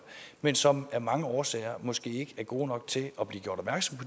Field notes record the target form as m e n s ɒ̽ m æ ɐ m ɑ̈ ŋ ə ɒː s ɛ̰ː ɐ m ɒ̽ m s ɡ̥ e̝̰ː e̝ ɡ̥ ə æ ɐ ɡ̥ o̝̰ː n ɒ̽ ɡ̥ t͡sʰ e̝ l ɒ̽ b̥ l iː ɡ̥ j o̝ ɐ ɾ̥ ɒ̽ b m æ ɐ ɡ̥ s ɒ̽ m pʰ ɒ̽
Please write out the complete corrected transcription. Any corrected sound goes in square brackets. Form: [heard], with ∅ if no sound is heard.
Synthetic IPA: m e n s ɒ̽ m æ ɐ m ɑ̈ ŋ ə ɒː s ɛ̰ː ɐ m ɒ̽ [∅] s ɡ̥ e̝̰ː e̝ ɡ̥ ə æ ɐ ɡ̥ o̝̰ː n ɒ̽ ɡ̥ t͡sʰ e̝ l ɒ̽ b̥ l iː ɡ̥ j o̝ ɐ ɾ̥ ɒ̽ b m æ ɐ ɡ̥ s ɒ̽ m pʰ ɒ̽